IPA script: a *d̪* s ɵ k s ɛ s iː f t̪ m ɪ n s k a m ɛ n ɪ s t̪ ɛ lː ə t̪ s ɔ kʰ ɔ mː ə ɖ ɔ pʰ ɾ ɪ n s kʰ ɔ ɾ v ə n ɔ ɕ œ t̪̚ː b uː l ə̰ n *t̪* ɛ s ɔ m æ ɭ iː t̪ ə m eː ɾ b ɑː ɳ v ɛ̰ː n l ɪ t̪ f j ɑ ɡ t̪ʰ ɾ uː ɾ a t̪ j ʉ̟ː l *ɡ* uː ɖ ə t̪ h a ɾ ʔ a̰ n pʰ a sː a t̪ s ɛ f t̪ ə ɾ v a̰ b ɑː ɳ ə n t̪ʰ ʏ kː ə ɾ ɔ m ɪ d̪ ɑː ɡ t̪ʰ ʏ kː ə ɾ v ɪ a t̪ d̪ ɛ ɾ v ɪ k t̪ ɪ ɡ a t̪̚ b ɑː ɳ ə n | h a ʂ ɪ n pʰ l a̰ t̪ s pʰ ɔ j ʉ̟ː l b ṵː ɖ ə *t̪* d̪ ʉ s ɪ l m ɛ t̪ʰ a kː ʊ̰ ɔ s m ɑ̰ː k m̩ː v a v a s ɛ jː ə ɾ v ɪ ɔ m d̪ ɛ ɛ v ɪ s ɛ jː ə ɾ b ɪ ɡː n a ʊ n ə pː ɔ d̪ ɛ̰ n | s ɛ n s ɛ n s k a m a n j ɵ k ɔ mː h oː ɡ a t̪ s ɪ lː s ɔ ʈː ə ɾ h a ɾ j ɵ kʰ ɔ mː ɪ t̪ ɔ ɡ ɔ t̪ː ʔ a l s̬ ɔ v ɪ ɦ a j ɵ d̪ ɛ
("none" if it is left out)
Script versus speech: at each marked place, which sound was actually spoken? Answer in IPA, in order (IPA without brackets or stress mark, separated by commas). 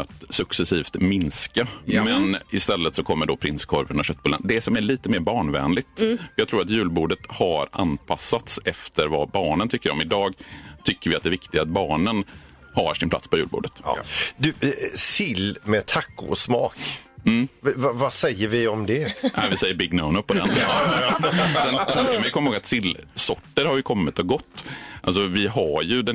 t̪, d̪, b, t̪